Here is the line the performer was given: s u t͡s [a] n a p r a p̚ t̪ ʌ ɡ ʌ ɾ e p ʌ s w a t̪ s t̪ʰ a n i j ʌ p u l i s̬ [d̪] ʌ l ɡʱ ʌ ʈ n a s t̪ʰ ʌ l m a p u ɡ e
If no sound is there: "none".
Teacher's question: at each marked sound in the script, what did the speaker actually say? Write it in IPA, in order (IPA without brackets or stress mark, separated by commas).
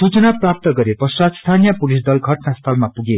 ʌ, d̪